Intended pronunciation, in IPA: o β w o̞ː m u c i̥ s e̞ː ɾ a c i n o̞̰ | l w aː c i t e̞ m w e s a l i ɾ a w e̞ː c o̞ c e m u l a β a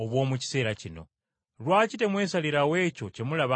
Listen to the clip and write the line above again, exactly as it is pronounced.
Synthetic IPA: o β w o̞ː m u c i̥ s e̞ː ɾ a c i n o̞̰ | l w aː c i t e̞ m w e s a l i ɾ a w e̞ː c o̞ c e m u l a β a